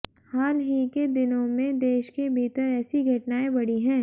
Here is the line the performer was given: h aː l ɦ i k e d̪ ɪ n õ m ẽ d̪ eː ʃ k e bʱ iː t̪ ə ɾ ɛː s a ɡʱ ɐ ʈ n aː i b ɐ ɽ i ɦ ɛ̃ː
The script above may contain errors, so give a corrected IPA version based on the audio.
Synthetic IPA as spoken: h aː l ɦ i k e d̪ ɪ n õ m ẽ d̪ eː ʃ k e bʱ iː t̪ ə ɾ ɛː s i ɡʱ ɐ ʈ n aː e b ɐ ɽ i ɦ ɛ̃ː